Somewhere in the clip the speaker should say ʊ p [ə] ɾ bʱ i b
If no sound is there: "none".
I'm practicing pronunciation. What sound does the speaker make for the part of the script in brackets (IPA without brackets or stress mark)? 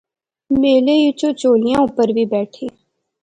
ə